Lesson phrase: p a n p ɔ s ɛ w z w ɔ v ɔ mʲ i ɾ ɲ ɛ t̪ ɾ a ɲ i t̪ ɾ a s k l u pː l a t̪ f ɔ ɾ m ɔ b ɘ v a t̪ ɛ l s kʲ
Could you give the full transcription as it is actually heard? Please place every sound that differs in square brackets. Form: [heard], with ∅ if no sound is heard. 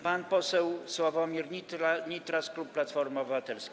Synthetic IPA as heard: p a n p ɔ s ɛ w [s] w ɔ v ɔ mʲ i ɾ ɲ [i] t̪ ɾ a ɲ i t̪ ɾ a s k l u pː l a t̪ f ɔ ɾ m ɔ b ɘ v a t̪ ɛ l s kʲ